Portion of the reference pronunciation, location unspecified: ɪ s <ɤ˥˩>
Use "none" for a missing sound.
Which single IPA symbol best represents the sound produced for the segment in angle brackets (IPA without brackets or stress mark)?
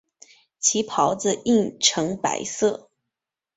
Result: ɤ˥˩